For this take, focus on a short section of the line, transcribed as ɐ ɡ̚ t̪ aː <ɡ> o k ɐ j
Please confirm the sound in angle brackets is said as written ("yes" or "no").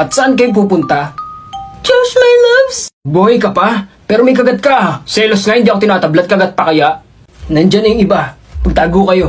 yes